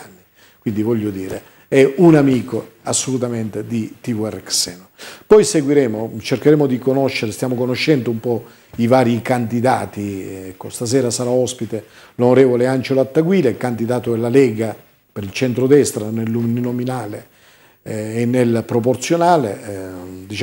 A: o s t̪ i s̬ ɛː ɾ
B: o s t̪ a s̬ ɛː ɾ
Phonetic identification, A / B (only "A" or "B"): B